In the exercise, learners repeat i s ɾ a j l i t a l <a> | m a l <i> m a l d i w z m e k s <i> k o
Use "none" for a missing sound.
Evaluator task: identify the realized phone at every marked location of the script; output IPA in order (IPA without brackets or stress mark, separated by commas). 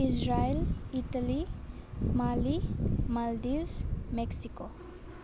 i, i, i